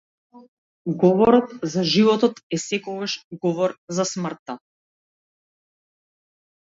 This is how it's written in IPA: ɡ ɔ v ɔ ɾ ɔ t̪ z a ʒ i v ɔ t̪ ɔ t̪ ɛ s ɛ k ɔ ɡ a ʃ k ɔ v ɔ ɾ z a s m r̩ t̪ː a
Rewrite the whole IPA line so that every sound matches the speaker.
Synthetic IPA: ɡ ɔ v ɔ ɾ ɔ t̪ z a ʒ i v ɔ t̪ ɔ t̪ ɛ s ɛ k ɔ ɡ a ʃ ɡ ɔ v ɔ ɾ z a s m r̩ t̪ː a